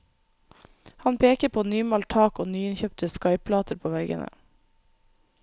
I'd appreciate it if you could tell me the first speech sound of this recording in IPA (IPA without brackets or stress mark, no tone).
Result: h